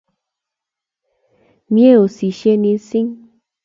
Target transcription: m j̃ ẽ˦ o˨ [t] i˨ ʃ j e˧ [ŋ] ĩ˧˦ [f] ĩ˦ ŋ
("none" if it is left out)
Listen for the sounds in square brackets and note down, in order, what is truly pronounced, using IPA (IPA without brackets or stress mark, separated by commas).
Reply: s, n, s